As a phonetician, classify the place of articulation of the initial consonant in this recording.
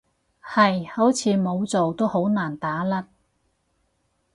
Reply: glottal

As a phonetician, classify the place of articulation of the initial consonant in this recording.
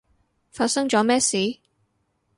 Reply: labial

